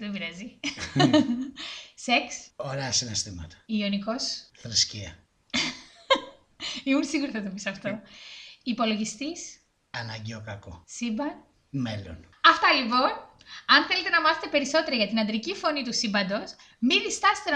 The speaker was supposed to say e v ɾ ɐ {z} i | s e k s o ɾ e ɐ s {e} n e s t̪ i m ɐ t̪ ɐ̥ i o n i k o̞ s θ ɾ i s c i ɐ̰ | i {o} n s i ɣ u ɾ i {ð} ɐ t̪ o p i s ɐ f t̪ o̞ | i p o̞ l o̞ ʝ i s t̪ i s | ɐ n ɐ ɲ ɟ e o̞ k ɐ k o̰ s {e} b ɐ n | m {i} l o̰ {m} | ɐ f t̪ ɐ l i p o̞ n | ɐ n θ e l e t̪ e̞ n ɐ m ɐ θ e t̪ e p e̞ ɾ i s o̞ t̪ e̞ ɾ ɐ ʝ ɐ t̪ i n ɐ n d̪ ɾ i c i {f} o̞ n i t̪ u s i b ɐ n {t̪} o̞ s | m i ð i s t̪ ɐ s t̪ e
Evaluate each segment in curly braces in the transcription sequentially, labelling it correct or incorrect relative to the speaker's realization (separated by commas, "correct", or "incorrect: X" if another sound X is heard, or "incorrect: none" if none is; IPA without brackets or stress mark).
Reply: correct, incorrect: i, incorrect: u, incorrect: θ, incorrect: i, incorrect: e, incorrect: n, correct, incorrect: d̪